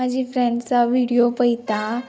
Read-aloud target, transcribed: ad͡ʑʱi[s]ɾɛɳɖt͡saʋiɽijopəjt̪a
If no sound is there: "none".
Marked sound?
f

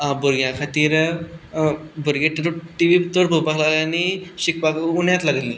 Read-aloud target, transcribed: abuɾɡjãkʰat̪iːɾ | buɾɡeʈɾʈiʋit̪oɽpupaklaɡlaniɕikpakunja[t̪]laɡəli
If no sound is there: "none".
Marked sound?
t̪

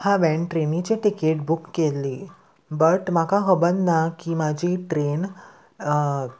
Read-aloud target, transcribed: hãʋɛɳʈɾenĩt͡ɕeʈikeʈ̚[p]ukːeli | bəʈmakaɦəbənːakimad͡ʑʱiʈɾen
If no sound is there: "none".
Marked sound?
b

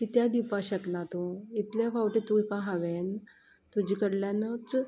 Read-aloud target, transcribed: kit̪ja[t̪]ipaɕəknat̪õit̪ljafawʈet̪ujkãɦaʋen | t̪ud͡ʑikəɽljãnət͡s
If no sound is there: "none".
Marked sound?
d̪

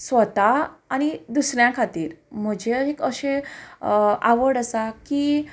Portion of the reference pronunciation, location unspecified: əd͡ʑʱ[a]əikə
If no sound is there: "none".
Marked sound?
e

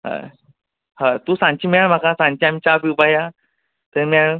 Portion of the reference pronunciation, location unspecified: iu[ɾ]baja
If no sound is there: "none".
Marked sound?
none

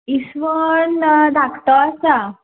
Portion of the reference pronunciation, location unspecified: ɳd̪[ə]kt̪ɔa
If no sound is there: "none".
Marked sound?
a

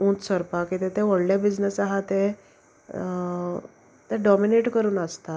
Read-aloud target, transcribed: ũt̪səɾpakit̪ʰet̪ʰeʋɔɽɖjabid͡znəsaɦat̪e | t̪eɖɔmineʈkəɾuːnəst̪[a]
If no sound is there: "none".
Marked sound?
a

